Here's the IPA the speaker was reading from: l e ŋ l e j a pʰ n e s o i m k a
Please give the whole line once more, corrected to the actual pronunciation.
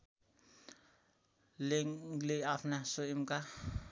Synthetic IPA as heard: l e ŋ l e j a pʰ n a s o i m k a